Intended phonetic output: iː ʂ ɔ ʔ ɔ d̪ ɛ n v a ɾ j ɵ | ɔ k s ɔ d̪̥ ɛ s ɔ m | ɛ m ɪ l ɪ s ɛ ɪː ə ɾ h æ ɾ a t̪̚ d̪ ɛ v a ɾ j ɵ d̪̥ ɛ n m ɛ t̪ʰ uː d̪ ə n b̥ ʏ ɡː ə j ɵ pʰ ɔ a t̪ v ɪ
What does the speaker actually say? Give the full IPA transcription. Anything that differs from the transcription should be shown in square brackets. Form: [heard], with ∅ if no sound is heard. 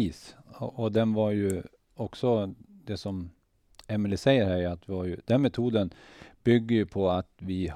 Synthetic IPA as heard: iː [s] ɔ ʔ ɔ d̪ ɛ n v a ɾ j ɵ | ɔ k s ɔ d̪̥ ɛ s ɔ m | ɛ m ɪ l ɪ s ɛ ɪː ə ɾ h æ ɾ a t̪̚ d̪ ɛ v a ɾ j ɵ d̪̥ ɛ n m ɛ t̪ʰ uː d̪ ə n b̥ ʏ ɡː ə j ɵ pʰ ɔ a t̪ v ɪ